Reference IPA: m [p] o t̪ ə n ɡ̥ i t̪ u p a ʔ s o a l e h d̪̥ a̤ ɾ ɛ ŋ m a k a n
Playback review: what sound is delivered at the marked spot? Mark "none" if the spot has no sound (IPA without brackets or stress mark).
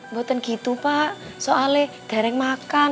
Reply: b